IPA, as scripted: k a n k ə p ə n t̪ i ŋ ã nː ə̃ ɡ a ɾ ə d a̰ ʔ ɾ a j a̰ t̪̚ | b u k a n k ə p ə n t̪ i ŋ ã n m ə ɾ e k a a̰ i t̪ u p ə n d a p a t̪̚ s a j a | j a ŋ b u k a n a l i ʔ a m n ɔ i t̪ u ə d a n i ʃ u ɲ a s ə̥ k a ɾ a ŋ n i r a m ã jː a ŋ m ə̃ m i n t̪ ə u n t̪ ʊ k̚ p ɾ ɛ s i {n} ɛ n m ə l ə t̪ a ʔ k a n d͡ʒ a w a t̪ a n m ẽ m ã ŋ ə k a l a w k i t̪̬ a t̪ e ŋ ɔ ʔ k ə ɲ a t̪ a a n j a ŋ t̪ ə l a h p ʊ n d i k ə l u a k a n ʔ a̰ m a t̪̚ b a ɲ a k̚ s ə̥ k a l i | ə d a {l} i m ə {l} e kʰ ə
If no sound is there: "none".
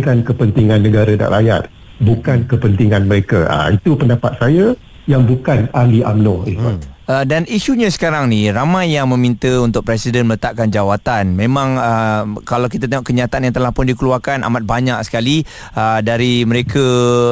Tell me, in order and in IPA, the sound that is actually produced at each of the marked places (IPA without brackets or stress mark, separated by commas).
d, ɾ, ɾ